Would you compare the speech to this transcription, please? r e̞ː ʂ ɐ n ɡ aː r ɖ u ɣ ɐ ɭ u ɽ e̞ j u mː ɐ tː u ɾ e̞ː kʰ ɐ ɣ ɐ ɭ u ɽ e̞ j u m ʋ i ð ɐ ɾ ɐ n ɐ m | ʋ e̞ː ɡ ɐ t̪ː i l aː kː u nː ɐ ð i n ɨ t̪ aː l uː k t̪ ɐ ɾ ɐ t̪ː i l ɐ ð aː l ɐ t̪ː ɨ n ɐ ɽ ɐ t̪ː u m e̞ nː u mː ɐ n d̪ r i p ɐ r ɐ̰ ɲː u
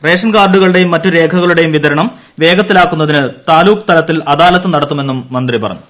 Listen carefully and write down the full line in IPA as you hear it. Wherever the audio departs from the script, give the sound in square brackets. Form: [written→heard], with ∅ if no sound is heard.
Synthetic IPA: r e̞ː ʂ ɐ n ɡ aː r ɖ u ɣ ɐ ɭ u ɽ e̞ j u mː ɐ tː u ɾ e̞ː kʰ ɐ ɣ ɐ ɭ u ɽ e̞ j u m ʋ i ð ɐ ɾ ɐ [n→ɳ] ɐ m | ʋ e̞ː ɡ ɐ t̪ː i l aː kː u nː ɐ ð i n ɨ t̪ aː l uː k t̪ ɐ [ɾ→l] ɐ t̪ː i l ɐ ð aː l ɐ t̪ː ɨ n ɐ ɽ ɐ t̪ː u m e̞ nː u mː ɐ n d̪ r i p ɐ r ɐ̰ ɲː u